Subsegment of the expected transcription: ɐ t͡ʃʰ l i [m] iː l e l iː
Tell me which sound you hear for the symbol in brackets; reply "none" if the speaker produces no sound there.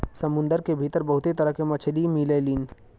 m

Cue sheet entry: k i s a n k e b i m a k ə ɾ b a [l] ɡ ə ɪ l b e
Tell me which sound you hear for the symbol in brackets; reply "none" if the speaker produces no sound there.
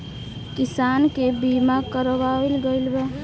l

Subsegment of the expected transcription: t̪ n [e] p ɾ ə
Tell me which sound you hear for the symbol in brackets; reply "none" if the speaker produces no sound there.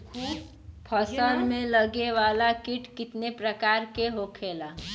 e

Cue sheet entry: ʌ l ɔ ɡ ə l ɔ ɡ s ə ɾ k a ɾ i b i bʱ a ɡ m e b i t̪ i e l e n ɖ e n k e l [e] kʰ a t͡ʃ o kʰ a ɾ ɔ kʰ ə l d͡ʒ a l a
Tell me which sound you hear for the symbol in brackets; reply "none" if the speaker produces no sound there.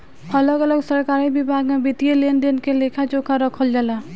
e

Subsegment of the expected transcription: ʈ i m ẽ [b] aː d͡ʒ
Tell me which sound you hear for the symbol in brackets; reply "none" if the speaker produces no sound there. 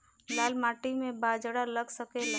b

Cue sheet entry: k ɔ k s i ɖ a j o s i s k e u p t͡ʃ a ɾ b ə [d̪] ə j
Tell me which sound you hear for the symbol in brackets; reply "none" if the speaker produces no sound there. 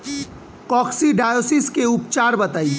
t̪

